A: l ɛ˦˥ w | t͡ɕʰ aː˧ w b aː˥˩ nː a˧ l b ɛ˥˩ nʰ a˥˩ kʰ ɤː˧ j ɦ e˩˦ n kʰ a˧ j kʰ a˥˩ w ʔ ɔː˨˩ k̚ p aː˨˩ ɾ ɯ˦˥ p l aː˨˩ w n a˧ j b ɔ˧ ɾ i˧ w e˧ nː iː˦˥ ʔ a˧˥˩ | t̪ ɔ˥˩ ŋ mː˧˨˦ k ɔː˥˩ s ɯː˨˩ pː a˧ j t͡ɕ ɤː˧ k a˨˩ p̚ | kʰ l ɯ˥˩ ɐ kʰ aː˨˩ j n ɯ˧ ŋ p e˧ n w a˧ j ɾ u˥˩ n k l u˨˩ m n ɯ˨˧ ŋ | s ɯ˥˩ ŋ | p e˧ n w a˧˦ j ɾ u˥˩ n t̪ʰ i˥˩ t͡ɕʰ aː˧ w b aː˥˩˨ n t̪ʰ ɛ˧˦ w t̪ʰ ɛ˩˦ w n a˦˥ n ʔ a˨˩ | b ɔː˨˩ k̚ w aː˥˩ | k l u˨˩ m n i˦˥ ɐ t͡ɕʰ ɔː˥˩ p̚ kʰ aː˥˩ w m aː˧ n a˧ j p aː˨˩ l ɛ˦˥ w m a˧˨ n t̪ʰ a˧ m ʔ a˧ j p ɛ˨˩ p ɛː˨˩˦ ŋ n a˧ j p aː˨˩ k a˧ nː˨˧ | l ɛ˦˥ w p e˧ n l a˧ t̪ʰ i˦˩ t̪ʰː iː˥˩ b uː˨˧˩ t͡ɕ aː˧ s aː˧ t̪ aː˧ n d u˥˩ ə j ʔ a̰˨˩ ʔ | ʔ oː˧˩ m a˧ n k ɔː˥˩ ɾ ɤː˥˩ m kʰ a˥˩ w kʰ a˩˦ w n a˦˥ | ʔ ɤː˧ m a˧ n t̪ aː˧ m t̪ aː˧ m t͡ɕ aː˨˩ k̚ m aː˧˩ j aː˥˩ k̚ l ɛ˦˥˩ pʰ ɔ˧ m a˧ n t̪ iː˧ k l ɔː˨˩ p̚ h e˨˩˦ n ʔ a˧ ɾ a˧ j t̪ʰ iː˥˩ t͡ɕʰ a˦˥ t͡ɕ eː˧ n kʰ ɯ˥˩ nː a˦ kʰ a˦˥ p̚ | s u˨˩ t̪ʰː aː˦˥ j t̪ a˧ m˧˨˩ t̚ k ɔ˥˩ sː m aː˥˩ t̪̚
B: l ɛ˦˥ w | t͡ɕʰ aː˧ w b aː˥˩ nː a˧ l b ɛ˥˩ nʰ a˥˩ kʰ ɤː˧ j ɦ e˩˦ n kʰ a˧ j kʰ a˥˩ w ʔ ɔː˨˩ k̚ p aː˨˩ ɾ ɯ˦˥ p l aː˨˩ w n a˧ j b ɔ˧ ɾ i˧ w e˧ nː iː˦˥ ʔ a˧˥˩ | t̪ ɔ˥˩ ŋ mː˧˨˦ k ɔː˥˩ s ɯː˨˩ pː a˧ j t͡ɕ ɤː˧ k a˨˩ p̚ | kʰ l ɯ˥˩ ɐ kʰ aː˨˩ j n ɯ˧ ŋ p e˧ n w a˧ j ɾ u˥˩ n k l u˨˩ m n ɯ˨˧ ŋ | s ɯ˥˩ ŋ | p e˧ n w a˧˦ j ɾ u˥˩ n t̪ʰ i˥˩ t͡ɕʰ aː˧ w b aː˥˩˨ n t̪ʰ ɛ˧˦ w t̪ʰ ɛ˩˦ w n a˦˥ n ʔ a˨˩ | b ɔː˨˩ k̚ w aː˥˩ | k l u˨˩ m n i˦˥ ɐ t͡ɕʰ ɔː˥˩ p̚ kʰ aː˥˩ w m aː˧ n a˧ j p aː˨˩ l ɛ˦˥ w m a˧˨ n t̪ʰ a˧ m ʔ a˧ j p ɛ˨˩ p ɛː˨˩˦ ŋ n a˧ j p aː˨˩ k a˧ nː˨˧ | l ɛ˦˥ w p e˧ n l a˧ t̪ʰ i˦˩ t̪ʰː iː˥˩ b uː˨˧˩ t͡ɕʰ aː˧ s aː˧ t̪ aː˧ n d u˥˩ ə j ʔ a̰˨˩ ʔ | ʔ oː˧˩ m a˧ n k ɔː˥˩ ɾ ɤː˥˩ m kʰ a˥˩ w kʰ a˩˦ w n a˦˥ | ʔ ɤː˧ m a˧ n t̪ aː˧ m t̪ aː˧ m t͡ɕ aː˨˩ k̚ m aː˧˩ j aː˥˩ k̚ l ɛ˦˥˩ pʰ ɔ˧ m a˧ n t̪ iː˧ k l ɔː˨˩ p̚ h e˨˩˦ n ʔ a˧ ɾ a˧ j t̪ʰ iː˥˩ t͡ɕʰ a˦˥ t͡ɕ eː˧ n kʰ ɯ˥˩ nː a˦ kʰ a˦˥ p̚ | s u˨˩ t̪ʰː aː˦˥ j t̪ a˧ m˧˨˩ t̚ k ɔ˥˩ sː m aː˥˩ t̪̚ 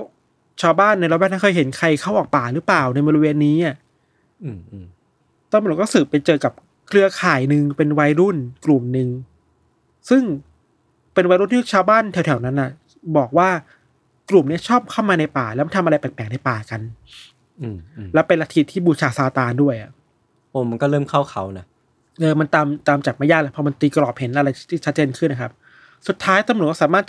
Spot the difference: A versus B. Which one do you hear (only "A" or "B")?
B